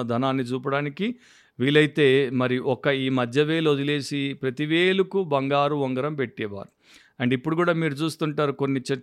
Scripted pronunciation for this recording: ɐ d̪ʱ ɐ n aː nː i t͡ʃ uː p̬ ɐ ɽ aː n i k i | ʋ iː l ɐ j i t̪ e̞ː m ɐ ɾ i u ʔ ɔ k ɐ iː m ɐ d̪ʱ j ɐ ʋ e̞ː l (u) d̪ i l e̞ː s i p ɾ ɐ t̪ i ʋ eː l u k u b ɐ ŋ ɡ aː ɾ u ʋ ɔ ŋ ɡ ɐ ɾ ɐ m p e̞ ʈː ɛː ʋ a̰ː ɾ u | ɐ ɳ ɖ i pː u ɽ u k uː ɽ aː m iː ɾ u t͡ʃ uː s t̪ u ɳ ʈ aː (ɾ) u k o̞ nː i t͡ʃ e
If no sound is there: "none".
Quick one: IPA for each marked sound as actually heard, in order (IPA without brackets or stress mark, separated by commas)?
o, ɾ